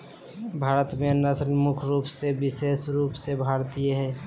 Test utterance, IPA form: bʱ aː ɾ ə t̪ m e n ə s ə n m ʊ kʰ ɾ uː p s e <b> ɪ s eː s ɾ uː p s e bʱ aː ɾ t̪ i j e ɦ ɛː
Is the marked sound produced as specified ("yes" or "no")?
yes